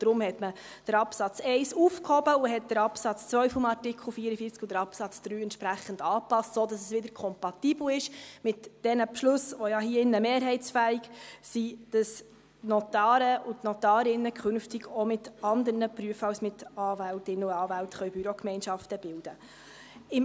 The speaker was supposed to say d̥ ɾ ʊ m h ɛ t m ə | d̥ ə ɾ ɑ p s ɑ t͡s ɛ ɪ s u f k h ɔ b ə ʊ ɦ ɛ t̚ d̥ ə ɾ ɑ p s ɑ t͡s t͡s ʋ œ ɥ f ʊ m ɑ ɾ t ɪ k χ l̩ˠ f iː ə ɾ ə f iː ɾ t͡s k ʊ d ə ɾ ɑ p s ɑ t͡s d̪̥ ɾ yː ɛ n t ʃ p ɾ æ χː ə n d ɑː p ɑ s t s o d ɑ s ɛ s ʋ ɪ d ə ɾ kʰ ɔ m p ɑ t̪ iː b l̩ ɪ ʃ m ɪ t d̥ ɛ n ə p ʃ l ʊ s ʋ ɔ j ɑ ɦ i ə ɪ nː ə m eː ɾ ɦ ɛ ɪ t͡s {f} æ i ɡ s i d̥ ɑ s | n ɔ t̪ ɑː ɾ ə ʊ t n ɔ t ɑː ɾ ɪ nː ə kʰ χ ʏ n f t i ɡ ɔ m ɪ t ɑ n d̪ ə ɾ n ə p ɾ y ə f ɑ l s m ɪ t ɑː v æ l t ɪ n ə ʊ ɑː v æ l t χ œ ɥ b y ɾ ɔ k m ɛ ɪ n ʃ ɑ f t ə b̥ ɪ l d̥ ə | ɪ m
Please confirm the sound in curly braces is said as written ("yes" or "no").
yes